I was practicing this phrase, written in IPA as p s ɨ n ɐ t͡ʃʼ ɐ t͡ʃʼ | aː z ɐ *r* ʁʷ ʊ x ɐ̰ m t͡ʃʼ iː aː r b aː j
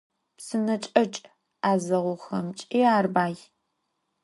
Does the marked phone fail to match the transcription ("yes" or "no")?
yes